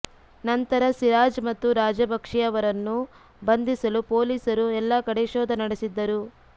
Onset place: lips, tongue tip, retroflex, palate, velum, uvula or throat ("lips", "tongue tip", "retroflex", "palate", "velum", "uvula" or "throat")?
tongue tip